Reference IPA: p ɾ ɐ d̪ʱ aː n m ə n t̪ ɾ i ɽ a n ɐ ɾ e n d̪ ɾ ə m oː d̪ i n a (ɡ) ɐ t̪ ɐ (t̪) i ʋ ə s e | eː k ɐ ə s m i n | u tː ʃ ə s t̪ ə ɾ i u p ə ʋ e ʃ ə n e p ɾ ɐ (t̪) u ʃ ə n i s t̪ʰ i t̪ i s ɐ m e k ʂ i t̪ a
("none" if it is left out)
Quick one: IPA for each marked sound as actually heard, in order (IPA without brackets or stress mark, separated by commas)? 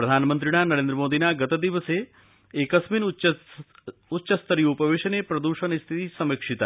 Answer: ɡ, d̪, d̪